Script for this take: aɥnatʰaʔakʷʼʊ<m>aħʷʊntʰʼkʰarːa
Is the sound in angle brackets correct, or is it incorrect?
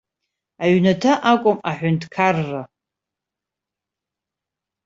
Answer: correct